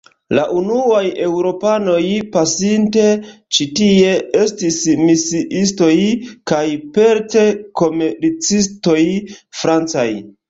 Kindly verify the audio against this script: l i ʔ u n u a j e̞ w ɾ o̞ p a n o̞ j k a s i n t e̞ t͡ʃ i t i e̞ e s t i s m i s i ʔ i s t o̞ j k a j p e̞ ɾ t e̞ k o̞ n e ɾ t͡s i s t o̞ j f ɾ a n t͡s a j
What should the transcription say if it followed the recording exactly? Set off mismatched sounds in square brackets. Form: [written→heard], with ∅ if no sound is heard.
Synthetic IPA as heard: l [i→a] ʔ u n u a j e̞ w ɾ o̞ p a n o̞ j [k→p] a s i n t e̞ t͡ʃ i t i e̞ e s t i s m i s i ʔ i s t o̞ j k a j p e̞ ɾ t e̞ k o̞ [n→m] e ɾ t͡s i s t o̞ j f ɾ a n t͡s a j